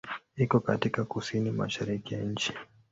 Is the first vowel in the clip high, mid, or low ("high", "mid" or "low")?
high